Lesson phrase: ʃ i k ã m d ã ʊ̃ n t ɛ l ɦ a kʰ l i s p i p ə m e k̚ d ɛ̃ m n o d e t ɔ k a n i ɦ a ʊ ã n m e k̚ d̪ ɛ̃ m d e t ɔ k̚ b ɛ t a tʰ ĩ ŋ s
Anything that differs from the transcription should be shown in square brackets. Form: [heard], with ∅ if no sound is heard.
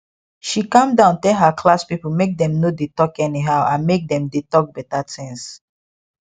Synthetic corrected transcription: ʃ i k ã m d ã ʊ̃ n t ɛ l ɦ a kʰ l [a] s p i p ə m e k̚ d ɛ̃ m n o d e t ɔ k [ɛ] n i ɦ a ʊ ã n m e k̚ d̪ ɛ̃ m d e t ɔ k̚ b ɛ t a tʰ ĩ ŋ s